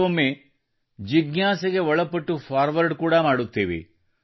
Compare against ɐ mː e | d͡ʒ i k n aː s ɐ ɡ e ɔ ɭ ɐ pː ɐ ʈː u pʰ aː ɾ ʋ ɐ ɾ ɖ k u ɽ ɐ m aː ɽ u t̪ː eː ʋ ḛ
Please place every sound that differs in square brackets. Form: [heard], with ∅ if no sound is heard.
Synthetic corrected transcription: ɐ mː e | d͡ʒ i [ɡ] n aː s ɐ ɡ e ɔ ɭ ɐ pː ɐ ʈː u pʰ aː ɾ ʋ ɐ ɾ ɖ k [uː] ɽ ɐ m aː ɽ u t̪ː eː ʋ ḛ